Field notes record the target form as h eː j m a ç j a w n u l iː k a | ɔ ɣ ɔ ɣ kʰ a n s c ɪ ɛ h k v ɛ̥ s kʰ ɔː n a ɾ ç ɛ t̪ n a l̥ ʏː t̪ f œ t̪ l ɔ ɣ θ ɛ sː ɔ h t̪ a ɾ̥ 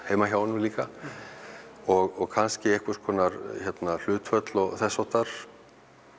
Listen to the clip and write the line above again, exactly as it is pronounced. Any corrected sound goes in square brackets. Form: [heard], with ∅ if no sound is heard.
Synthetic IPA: h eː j m a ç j a w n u l iː k a | ɔ ɣ ɔ ɣ kʰ a n s c ɪ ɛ h k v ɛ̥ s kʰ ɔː n a ɾ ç ɛ t̪ n a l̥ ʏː t̪ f œ t̪ l ɔ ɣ θ ɛ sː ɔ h t̪ a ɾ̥